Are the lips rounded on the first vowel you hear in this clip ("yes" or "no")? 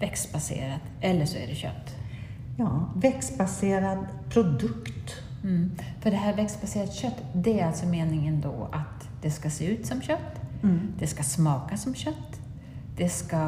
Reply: no